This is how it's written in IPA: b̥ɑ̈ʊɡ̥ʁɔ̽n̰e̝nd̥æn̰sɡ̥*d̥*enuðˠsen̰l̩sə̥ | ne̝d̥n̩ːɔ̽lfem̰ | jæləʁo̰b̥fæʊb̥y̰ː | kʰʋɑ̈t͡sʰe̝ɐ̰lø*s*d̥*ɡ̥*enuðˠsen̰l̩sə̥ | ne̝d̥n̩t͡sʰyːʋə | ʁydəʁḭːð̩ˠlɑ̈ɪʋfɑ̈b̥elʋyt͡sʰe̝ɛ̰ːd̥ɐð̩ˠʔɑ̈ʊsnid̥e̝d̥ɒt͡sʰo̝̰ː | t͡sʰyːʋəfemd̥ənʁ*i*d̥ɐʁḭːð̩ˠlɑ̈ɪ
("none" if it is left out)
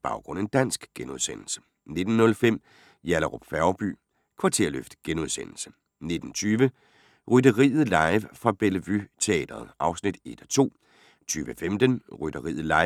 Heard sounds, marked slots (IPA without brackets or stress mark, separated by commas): ɡ̥, f, ɡ̥, y